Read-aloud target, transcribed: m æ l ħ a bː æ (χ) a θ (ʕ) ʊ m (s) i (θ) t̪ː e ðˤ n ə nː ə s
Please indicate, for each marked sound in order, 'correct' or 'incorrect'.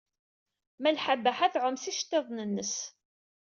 incorrect: ħ, correct, correct, incorrect: ʃ

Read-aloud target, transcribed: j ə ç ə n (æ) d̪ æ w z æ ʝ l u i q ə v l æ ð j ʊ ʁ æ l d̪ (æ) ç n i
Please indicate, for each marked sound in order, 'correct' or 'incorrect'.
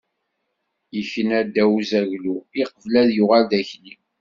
correct, correct

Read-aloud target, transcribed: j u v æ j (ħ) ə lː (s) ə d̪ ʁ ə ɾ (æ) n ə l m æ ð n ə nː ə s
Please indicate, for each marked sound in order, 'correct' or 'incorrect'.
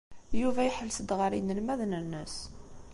correct, correct, incorrect: i

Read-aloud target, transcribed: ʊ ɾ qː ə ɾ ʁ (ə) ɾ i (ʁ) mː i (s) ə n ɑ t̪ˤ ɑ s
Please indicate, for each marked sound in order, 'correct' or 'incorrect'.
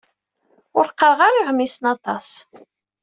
incorrect: a, correct, correct

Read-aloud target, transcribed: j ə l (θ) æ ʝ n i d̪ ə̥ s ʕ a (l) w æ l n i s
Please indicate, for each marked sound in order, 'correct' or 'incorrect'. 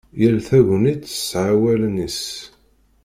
correct, incorrect: none

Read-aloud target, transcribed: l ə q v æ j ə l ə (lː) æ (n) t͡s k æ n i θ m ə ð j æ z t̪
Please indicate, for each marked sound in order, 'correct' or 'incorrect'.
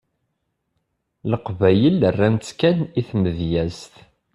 incorrect: rː, correct

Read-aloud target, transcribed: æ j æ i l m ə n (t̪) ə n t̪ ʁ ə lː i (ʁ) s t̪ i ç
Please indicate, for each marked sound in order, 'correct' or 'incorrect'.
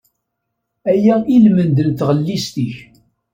incorrect: d̪, incorrect: none

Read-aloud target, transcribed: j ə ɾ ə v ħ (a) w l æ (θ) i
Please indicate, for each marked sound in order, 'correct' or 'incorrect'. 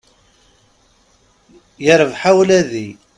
correct, incorrect: ð

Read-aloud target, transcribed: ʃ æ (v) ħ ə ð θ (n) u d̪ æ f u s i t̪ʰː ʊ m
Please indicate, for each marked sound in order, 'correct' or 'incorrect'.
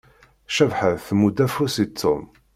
correct, incorrect: m

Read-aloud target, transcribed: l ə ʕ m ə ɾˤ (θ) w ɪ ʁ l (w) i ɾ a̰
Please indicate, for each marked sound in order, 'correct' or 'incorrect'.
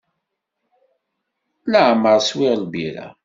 incorrect: s, incorrect: b

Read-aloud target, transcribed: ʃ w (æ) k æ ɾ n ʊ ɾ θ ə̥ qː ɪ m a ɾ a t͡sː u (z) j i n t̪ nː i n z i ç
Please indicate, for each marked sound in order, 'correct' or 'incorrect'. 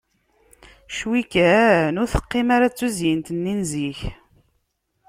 incorrect: i, correct

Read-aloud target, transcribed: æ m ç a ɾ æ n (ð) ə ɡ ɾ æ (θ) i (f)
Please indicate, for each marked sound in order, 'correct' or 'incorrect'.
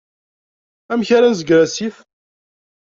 incorrect: z, incorrect: s, correct

